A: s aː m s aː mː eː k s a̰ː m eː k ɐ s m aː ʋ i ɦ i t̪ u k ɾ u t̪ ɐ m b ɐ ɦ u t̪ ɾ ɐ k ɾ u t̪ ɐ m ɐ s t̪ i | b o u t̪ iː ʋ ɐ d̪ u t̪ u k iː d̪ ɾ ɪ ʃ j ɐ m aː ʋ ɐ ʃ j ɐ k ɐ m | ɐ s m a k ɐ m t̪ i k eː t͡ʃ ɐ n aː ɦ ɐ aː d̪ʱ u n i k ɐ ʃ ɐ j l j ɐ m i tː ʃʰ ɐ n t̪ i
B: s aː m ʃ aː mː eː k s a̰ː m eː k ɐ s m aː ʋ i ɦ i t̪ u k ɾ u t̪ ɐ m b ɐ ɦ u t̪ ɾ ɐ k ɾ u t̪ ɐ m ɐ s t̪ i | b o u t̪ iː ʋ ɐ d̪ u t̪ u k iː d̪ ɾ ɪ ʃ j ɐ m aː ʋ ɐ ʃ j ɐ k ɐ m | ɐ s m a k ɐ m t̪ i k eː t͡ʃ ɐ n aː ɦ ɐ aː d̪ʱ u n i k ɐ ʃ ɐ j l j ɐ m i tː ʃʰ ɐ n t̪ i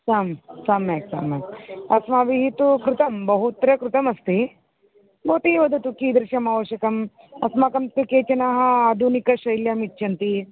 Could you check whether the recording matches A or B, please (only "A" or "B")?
A